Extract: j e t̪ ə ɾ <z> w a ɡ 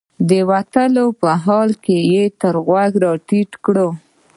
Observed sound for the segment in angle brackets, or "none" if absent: ɣ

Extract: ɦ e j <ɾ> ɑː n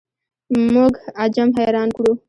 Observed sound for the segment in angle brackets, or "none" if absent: ɾ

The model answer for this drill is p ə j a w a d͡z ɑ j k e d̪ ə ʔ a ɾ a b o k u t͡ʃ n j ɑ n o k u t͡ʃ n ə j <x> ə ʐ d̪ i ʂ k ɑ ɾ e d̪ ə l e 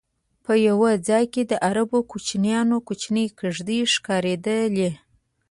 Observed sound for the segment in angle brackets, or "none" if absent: k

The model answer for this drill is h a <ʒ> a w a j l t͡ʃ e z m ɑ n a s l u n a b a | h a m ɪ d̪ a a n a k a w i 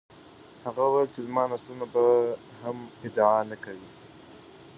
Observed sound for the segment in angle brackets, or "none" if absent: ɣ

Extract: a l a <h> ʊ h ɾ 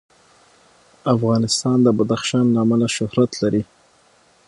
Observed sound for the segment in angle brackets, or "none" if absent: ʃ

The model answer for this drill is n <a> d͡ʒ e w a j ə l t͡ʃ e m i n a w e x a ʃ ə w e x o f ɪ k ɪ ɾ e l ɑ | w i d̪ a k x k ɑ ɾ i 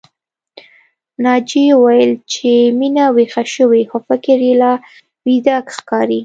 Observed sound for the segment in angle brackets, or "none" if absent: ɑ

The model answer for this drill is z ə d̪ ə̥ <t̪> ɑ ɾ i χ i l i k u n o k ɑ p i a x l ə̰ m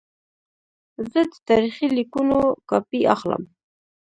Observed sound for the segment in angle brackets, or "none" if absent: t̪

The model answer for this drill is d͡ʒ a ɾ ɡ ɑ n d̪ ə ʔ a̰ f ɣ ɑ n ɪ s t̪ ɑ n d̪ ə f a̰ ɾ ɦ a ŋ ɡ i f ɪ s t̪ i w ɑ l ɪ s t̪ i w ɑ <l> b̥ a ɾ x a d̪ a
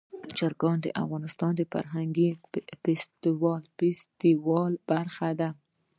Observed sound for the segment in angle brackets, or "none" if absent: l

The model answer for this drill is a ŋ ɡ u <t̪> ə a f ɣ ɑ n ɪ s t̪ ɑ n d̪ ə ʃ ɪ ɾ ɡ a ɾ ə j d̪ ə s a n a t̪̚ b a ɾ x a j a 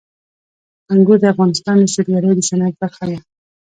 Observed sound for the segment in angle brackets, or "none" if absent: d̪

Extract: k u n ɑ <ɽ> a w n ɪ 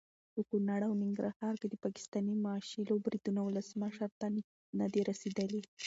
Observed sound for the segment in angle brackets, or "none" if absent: ɽ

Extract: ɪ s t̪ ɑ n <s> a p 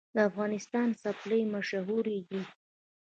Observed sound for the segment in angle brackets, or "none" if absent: s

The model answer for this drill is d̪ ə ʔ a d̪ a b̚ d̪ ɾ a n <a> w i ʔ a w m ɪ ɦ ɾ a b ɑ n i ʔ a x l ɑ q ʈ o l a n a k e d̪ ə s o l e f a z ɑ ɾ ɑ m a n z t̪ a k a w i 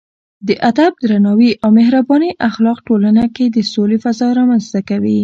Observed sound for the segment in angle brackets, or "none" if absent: ɑ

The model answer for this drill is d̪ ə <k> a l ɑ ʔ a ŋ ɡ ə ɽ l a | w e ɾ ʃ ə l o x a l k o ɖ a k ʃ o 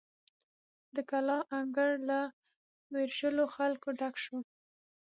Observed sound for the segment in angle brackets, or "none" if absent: k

